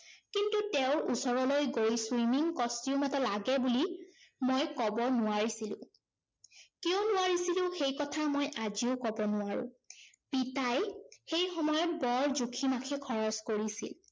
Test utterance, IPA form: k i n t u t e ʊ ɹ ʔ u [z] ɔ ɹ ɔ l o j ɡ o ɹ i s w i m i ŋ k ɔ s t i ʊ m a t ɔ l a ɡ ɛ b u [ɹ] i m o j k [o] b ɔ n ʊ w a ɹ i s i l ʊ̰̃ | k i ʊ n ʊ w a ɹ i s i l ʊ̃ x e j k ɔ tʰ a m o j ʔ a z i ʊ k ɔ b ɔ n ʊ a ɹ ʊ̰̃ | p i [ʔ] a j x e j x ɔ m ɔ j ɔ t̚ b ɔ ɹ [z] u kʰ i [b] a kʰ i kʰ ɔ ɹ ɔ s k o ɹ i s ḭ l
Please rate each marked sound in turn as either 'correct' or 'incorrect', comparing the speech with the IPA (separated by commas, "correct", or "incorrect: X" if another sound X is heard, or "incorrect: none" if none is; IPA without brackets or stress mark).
incorrect: s, incorrect: l, incorrect: ɔ, incorrect: t, correct, incorrect: m